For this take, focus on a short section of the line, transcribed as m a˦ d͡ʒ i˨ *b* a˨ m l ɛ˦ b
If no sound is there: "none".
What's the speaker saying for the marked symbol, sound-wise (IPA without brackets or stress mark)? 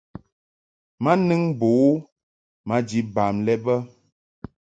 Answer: b